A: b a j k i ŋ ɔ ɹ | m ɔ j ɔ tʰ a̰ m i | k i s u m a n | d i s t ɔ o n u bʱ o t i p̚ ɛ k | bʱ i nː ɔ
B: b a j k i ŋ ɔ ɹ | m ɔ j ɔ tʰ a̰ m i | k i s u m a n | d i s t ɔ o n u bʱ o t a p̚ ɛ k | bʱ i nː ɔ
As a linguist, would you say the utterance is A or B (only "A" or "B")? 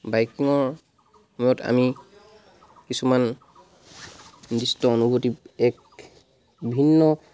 A